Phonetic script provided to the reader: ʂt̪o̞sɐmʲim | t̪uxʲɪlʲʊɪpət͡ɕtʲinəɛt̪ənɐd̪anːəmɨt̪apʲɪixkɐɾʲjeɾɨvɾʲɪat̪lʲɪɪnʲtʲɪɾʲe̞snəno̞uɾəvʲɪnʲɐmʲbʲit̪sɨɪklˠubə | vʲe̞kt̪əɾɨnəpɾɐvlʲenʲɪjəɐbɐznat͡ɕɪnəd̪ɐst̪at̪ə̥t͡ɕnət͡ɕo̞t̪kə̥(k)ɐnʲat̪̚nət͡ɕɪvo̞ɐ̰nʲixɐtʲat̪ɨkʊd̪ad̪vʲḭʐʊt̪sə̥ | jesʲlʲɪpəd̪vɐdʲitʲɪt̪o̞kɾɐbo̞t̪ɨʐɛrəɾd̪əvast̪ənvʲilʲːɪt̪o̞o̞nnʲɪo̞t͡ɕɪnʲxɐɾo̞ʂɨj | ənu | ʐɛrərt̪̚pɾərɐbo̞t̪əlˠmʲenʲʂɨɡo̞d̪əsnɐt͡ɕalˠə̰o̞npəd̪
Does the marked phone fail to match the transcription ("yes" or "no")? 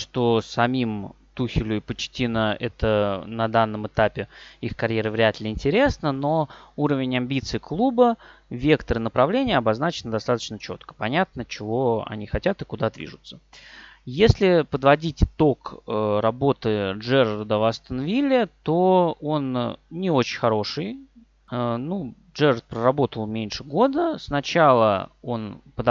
yes